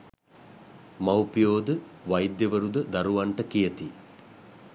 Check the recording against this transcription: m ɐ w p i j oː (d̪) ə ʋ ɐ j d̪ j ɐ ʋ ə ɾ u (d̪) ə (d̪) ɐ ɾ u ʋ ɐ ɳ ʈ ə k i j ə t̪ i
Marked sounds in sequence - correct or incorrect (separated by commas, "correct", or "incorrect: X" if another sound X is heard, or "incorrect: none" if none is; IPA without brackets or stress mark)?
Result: correct, correct, correct